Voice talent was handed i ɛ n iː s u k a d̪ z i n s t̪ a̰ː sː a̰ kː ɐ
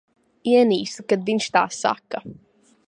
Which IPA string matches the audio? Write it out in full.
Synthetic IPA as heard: i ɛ n iː s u k a d̪ v i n ʃ t̪ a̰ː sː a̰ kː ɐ